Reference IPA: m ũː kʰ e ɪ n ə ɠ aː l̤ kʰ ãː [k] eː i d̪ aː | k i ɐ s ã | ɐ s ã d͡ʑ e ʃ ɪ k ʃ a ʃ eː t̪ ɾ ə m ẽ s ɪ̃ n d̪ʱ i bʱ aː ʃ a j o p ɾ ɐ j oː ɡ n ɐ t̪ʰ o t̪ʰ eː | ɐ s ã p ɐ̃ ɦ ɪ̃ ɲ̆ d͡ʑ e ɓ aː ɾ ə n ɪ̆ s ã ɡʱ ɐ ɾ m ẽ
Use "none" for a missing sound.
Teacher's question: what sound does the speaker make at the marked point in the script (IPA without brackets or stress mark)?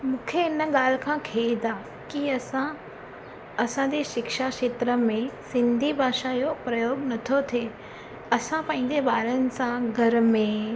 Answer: kʰ